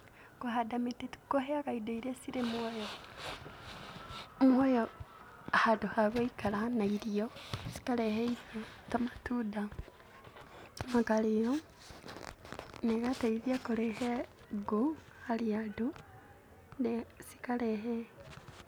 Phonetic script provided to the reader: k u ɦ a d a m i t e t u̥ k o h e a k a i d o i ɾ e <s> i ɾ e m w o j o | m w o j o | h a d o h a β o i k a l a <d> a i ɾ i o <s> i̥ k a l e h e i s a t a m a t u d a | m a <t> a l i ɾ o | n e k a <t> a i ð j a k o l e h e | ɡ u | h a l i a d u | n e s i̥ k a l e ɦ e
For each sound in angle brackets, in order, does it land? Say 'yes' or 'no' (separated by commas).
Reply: yes, no, yes, no, yes